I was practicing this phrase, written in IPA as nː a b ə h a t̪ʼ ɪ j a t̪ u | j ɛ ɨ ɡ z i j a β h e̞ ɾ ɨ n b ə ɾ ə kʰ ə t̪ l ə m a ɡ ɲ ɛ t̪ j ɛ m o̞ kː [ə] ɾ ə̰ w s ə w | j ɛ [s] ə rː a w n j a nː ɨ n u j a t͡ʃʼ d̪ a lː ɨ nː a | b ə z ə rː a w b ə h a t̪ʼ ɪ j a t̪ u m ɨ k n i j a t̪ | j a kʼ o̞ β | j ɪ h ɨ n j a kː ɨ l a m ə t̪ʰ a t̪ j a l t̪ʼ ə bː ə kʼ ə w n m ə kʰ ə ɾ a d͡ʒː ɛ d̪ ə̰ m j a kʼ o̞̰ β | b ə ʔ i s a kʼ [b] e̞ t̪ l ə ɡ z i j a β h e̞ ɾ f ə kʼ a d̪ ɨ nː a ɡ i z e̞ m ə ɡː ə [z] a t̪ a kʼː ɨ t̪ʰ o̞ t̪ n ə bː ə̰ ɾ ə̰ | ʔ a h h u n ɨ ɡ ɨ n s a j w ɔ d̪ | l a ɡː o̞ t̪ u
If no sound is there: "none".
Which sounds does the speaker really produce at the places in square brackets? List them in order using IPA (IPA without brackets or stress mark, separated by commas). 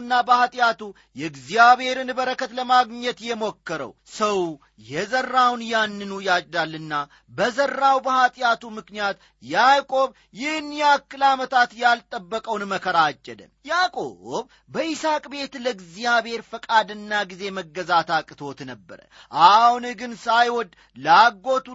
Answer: ə, z, b, z